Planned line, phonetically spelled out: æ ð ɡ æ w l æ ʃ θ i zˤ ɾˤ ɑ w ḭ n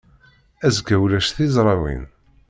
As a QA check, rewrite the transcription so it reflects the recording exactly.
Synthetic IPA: æ z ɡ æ w l æ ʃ θ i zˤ ɾˤ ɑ w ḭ n